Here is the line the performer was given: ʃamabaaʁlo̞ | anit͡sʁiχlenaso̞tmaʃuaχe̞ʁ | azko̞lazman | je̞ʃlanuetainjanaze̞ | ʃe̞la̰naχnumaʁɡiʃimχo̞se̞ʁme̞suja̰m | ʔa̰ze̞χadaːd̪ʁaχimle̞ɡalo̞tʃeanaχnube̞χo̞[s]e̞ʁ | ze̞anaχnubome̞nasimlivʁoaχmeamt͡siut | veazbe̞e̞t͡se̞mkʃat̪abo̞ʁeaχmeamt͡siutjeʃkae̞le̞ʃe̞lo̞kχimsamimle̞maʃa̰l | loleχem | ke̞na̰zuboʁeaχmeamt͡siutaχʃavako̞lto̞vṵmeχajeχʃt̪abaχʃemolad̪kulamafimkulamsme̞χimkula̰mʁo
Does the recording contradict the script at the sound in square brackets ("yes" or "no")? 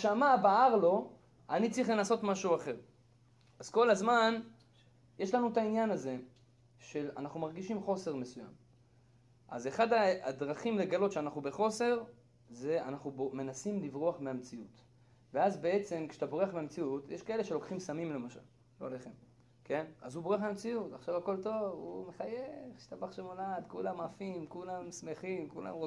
no